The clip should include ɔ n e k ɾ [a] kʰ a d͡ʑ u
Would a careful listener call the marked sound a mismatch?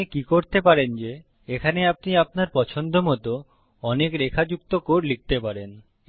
yes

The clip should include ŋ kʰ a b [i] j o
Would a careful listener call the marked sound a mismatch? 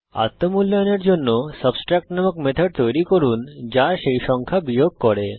no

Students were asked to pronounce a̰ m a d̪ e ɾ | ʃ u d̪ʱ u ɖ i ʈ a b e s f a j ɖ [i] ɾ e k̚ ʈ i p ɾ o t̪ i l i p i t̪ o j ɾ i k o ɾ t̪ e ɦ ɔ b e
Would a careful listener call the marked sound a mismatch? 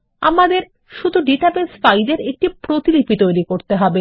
yes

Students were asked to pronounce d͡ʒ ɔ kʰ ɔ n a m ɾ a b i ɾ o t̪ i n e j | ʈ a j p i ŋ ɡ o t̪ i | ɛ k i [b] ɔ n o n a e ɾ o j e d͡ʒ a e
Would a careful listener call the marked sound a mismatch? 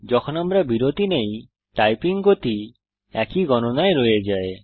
yes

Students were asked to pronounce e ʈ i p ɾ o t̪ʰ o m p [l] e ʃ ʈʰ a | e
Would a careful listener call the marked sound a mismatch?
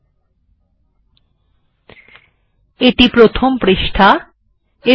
yes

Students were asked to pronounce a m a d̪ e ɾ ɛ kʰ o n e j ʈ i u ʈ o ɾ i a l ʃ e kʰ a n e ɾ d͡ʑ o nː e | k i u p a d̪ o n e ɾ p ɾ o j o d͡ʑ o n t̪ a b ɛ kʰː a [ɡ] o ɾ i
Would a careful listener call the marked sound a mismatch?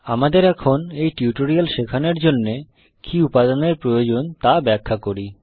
yes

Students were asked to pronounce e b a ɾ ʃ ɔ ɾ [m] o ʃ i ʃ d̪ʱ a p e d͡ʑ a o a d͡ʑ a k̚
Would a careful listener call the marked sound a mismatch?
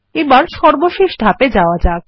yes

